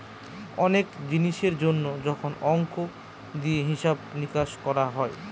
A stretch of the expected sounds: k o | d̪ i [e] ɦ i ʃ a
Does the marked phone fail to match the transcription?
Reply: no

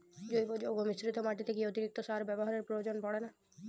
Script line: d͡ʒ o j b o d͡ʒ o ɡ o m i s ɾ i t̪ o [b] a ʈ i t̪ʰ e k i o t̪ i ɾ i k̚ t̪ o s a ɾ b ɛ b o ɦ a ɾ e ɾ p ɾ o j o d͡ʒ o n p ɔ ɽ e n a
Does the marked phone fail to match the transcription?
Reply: yes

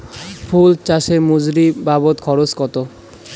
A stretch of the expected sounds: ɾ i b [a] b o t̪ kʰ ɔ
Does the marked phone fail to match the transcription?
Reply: no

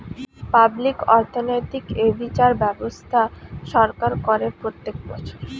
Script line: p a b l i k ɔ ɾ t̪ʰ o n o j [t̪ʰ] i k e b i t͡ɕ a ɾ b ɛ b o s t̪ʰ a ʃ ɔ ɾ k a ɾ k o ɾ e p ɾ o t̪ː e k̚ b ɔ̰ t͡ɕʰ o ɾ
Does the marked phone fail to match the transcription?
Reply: yes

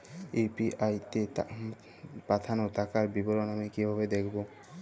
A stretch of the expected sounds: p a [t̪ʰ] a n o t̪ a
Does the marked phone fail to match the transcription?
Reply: no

